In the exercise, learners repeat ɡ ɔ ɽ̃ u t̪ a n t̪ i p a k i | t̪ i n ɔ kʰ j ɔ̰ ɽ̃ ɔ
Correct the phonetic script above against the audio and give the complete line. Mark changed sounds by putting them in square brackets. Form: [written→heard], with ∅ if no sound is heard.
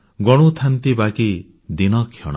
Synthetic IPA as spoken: ɡ ɔ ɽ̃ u [t̪→t̪ʰ] a n t̪ i [p→b] a k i | [t̪→d̪] i n ɔ kʰ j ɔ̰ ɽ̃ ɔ